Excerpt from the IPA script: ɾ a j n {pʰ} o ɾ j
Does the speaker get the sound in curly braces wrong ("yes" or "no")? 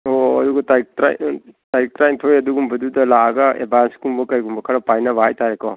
yes